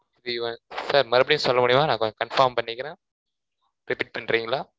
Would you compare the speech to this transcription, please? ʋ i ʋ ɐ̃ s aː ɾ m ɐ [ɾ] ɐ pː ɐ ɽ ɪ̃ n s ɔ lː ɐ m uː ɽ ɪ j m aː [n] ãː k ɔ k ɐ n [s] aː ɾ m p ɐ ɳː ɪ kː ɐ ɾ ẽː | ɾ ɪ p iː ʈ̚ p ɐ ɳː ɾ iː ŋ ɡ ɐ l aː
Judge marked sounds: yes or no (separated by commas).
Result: yes, yes, no